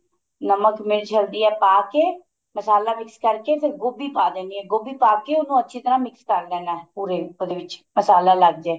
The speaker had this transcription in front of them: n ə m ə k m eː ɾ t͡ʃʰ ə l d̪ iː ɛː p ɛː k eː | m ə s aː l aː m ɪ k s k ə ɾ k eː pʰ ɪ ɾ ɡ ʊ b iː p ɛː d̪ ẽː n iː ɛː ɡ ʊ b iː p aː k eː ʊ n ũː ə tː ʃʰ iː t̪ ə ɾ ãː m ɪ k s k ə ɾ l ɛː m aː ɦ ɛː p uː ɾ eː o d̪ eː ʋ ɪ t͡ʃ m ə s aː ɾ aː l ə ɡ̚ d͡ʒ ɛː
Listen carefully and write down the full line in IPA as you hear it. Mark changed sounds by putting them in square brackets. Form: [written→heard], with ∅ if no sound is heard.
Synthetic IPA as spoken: n ə m ə k m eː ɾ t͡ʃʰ ə l d̪ iː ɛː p [ɛː→aː] k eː | m ə s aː l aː m ɪ k s k ə ɾ k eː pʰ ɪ ɾ ɡ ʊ b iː p [ɛː→aː] d̪ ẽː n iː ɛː ɡ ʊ b iː p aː k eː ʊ n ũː ə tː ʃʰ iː t̪ ə ɾ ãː m ɪ k s k ə ɾ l ɛː [m→n] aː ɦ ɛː p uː ɾ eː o d̪ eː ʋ ɪ t͡ʃ m ə s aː [ɾ→l] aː l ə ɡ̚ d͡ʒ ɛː